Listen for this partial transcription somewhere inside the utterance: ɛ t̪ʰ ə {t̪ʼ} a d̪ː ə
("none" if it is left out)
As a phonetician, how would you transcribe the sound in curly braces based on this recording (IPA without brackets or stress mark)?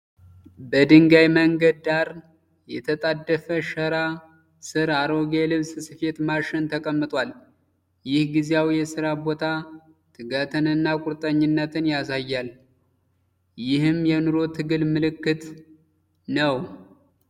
t̪ʼ